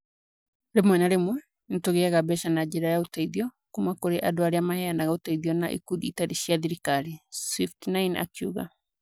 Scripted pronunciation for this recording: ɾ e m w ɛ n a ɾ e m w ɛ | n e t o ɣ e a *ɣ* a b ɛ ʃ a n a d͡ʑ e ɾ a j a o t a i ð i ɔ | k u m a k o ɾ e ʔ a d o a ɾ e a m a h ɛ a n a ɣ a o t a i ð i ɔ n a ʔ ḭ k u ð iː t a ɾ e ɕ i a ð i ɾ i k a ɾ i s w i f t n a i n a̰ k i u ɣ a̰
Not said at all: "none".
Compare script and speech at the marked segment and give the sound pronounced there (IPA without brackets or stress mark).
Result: ɣ